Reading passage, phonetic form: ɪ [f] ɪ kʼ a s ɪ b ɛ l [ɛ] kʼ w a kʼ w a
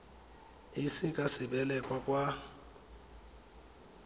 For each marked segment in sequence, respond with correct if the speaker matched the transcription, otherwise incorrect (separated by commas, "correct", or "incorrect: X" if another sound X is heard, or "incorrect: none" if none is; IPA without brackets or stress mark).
incorrect: s, correct